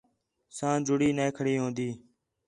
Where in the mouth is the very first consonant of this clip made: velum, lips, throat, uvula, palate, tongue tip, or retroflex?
tongue tip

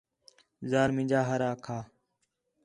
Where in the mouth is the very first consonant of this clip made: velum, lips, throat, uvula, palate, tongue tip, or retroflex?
tongue tip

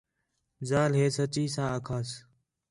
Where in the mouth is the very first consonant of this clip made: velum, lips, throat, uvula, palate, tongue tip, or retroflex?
tongue tip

